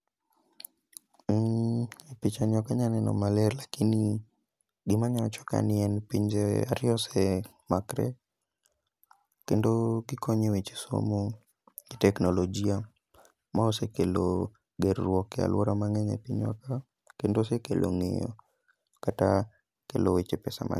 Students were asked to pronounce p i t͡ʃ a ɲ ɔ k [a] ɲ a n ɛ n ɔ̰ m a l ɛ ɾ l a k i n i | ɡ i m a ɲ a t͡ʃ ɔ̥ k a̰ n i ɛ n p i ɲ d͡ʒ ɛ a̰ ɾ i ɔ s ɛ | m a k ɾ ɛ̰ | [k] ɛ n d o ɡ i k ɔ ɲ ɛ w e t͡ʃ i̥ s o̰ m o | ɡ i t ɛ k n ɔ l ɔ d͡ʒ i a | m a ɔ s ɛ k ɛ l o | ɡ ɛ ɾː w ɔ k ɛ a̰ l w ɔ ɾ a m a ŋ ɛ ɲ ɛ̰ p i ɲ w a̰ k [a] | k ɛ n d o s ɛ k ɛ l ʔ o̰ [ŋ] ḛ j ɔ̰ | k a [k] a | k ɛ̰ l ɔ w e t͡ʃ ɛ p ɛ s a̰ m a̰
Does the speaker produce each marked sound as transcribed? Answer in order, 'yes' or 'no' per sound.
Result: yes, yes, yes, yes, no

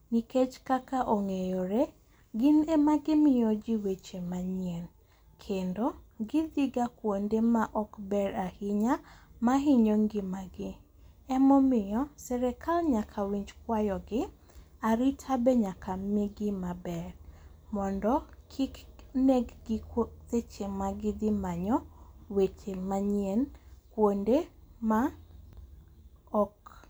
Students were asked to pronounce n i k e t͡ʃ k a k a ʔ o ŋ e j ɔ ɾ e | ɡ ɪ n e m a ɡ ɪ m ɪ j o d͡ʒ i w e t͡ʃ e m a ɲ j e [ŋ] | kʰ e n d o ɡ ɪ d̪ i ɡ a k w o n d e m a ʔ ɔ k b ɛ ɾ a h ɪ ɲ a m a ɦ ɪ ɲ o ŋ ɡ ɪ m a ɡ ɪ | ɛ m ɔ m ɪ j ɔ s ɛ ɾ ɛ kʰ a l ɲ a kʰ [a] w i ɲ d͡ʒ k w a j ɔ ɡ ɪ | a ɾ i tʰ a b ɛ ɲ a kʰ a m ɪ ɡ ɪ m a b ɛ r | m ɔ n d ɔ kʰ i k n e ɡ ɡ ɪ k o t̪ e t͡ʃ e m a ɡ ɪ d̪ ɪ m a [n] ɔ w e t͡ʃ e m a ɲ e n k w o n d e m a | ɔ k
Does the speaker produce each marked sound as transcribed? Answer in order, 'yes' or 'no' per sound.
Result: no, yes, no

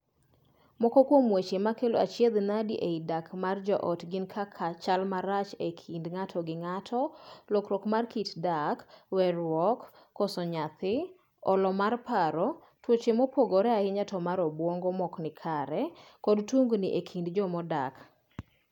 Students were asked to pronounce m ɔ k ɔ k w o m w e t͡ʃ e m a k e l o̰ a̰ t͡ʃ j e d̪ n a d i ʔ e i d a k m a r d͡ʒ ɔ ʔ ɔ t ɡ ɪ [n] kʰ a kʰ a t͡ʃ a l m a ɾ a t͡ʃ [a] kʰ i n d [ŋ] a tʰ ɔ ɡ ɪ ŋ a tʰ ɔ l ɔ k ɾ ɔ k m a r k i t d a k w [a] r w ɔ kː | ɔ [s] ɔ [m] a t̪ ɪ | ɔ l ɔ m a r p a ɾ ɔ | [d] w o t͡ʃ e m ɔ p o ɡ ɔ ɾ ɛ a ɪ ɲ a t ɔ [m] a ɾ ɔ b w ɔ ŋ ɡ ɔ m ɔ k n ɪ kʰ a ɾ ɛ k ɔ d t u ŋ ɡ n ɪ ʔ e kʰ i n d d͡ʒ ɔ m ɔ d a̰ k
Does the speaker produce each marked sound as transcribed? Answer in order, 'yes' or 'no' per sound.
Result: yes, no, yes, no, yes, no, no, yes

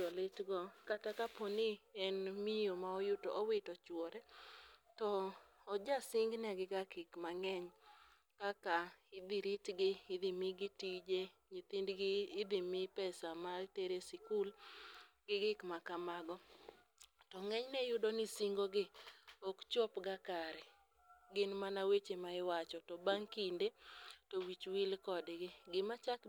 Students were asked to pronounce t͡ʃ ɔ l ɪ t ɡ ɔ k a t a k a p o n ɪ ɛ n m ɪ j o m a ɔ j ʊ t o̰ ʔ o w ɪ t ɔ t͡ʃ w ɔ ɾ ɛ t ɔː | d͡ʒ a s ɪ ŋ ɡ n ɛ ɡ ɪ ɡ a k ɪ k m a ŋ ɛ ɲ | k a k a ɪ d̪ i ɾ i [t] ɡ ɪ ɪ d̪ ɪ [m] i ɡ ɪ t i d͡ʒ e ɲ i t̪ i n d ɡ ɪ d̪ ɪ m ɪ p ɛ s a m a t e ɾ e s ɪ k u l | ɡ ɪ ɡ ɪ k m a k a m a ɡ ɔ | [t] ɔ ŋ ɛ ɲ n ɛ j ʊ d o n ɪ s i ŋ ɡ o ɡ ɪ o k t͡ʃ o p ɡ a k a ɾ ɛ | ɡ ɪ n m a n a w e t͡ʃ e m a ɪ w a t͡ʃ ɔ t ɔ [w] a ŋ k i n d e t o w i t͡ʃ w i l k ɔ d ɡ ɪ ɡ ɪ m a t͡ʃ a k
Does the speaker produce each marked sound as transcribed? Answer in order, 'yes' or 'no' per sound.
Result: yes, yes, yes, no

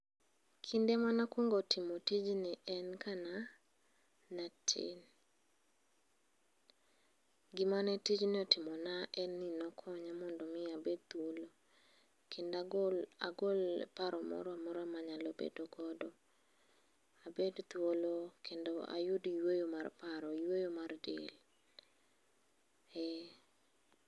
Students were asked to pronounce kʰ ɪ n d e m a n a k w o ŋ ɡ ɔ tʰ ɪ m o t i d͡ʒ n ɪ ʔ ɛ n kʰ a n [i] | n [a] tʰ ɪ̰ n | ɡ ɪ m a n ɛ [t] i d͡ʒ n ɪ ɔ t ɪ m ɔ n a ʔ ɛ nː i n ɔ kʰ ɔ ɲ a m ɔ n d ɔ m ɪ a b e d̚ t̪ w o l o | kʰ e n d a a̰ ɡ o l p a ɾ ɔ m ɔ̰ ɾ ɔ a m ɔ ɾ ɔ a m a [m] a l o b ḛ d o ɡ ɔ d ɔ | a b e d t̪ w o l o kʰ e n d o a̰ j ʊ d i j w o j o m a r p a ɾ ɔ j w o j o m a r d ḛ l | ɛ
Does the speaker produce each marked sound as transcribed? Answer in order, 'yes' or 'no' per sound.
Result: no, yes, yes, no

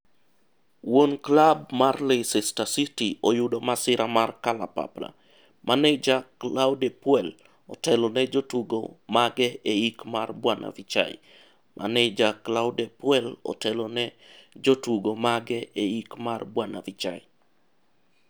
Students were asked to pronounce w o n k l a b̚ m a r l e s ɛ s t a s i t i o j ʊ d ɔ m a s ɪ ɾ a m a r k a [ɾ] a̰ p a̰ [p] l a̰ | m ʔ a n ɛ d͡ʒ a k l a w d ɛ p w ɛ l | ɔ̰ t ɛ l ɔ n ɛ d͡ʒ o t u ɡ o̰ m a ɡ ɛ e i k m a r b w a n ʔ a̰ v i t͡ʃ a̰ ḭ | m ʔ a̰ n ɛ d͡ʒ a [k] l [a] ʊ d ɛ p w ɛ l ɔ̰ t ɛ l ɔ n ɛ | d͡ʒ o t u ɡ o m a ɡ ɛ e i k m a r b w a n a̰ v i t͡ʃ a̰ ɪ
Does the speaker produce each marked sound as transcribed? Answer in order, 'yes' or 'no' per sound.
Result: no, yes, yes, yes

